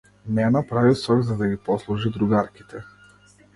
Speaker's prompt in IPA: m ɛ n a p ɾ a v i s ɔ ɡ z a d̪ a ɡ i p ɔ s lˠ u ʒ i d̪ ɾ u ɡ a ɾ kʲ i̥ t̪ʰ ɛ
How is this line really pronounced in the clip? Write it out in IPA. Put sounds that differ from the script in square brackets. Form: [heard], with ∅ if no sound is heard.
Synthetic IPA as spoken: m ɛ n a p ɾ a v i s ɔ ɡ z a d̪ a ɡ i p ɔ s lˠ u ʒ i d̪ ɾ u ɡ a ɾ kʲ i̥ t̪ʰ ɛ